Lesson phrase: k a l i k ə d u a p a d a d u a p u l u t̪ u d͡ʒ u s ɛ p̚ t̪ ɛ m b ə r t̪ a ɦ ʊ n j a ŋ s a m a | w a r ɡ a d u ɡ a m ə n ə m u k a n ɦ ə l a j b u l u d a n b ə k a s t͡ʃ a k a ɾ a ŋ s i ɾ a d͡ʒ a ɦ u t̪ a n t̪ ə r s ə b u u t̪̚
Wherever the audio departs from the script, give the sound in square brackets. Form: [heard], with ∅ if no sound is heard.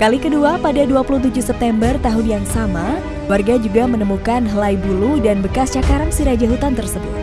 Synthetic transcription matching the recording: k a l i k ə d u a p a d a d u a p u l u t̪ u d͡ʒ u s ɛ p̚ t̪ ɛ m b ə r t̪ a ɦ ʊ n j a ŋ s a m a | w a r ɡ a [d͡ʒ] u ɡ a m ə n ə m u k a n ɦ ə l a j b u l u d a n b ə k a s t͡ʃ a k a ɾ a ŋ s i ɾ a d͡ʒ a ɦ u t̪ a n t̪ ə r s ə b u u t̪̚